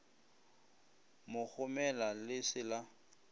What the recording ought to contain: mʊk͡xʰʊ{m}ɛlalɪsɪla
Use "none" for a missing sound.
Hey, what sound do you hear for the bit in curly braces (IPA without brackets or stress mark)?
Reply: m